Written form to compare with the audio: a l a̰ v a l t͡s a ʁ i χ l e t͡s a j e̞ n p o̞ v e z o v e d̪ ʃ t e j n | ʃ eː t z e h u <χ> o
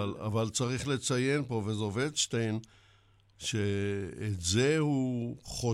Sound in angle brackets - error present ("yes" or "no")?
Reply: no